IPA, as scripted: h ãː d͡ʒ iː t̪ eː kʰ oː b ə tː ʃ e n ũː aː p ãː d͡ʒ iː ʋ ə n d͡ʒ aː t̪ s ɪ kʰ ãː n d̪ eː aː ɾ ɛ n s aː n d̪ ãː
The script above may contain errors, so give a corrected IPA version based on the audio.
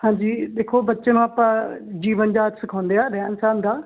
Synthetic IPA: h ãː d͡ʒ iː d̪ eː kʰ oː b ə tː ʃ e n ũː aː p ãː d͡ʒ iː ʋ ə n d͡ʒ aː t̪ s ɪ kʰ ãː n d̪ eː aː ɾ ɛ n s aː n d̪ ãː

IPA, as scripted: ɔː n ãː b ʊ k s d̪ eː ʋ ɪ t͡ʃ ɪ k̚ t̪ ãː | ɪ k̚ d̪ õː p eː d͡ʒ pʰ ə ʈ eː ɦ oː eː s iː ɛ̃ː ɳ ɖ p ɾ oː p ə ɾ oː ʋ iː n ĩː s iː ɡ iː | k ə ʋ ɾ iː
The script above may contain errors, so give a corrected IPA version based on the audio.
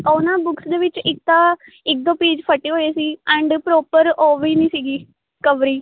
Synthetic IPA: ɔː n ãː b ʊ k s d̪ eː ʋ ɪ t͡ʃ ɪ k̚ t̪ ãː | ɪ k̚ d̪ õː p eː d͡ʒ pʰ ə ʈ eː ɦ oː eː s iː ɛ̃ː ɳ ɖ p ɾ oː p ə ɾ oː ʋ iː n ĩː s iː ɡ iː | k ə ʋ ɾ iː

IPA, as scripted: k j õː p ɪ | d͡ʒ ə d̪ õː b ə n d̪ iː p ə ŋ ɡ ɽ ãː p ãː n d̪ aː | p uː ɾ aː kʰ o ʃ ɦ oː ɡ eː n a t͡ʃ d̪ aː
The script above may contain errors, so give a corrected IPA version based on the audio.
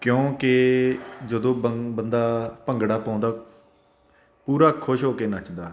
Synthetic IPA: k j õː k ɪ | d͡ʒ ə d̪ õː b ə n d̪ aː p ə ŋ ɡ ɽ aː p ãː n d̪ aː | p uː ɾ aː kʰ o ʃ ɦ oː k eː n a t͡ʃ d̪ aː

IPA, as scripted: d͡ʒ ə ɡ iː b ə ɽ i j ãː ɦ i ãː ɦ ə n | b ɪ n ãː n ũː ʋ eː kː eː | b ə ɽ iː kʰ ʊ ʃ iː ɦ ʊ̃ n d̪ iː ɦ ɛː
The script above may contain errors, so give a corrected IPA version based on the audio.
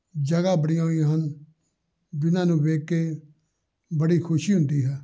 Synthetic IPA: d͡ʒ ə ɡ aː b ə ɽ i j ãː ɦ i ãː ɦ ə n | b ɪ n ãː n ũː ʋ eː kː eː | b ə ɽ iː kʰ ʊ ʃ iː ɦ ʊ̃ n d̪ iː ɦ ɛː

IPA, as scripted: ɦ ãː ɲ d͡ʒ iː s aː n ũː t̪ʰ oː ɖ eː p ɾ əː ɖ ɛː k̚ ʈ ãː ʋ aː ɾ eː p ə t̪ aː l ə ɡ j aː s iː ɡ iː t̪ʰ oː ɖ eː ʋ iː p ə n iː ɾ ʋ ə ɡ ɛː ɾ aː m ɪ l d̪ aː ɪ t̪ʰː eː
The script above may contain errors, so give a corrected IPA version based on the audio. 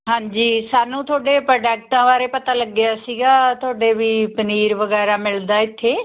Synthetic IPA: ɦ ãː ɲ d͡ʒ iː s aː n ũː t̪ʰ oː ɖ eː p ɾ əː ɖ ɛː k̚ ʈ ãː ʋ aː ɾ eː p ə t̪ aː l ə ɡ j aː s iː ɡ aː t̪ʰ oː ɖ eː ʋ iː p ə n iː ɾ ʋ ə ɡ ɛː ɾ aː m ɪ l d̪ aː ɪ t̪ʰː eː

